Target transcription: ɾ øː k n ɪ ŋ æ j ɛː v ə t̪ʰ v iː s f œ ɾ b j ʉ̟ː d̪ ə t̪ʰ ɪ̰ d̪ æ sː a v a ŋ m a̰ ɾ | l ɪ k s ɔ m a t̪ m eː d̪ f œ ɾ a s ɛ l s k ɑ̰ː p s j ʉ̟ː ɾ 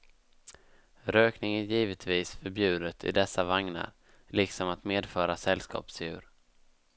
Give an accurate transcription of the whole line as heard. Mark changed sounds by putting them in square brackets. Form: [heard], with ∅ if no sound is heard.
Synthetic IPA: ɾ øː k n ɪ ŋ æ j [iː] v ə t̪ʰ v iː s f œ ɾ b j ʉ̟ː d̪ ə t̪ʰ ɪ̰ d̪ [ɛ] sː a v a ŋ [n] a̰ ɾ | l ɪ k s ɔ m a t̪ m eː d̪ f [œː] ɾ a s ɛ l s k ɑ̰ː p s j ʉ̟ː ɾ

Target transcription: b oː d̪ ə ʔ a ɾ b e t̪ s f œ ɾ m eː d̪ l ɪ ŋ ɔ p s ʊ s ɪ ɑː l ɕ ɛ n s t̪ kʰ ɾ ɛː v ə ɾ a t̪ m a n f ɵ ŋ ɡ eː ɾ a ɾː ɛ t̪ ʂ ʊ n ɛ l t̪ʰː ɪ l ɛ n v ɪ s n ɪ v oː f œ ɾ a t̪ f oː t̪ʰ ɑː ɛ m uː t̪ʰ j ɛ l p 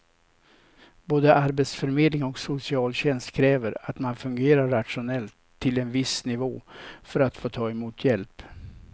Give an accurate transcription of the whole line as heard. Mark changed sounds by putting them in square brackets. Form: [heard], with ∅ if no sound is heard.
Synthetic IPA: b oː d̪ ə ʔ a ɾ b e t̪ s f œ ɾ m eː d̪ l ɪ ŋ ɔ [k] s ʊ s ɪ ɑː l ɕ ɛ n s t̪ kʰ ɾ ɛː v ə ɾ a t̪ m a n f ɵ ŋ ɡ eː ɾ a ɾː [a] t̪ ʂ ʊ n ɛ l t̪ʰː ɪ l ɛ n v ɪ s n ɪ v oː f œ ɾ a t̪ f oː t̪ʰ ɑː ɛ m uː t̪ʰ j ɛ l p

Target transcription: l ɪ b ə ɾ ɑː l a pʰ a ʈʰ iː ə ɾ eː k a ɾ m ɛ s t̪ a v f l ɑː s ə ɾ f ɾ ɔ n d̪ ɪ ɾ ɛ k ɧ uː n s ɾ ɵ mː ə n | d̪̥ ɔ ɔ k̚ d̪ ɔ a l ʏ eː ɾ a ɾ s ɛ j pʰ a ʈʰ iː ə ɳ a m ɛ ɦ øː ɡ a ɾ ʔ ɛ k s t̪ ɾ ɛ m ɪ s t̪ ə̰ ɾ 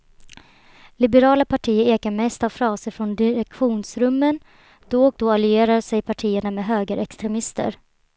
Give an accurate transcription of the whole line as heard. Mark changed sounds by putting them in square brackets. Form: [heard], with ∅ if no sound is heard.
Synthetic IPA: l ɪ b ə ɾ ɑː l a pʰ a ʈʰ iː ə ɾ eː k a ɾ m ɛ s t̪ a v f [ɾ] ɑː s ə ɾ f ɾ ɔ n d̪ ɪ ɾ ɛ k ɧ uː n s ɾ ɵ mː ə n | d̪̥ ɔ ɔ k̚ d̪ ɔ a l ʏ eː ɾ a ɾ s ɛ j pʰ a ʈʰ iː ə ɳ a m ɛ ɦ øː ɡ [ə] ɾ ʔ ɛ k s t̪ ɾ ɛ m ɪ s t̪ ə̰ ɾ

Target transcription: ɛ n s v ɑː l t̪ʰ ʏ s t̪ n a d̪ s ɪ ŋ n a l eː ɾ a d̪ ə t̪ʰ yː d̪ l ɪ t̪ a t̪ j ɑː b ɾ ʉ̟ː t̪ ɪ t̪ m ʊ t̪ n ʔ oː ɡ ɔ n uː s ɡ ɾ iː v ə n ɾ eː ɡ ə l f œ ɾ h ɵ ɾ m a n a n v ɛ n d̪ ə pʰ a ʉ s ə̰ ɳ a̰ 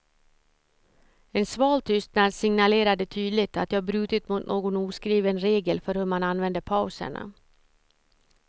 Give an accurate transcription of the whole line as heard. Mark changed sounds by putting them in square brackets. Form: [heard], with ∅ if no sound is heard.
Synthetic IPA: ɛ n s v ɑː l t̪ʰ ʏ s t̪ n a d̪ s ɪ ŋ n a l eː ɾ a d̪ ə t̪ʰ yː d̪ l ɪ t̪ a t̪ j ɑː b ɾ ʉ̟ː t̪ ɪ t̪ m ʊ t̪ n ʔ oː ɡ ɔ n uː s [k] ɾ iː v ə n ɾ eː ɡ ə l f œ ɾ h ɵ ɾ m a n a n v ɛ n d̪ ə pʰ a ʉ s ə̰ ɳ a̰

